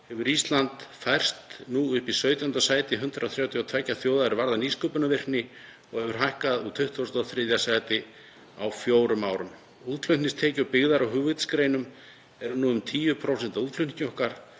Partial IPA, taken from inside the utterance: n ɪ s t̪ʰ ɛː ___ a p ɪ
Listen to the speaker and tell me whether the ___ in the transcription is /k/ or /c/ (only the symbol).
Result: c